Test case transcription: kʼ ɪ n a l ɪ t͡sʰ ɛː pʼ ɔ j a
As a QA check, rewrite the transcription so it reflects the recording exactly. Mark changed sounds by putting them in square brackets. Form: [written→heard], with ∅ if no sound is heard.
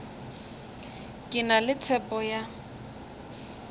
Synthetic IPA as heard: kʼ ɪ n a l ɪ t͡sʰ [ɛː→ɛ] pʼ ɔ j a